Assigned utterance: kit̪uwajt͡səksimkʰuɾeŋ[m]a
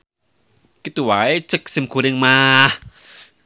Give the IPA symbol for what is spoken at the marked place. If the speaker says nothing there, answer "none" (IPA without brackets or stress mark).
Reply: m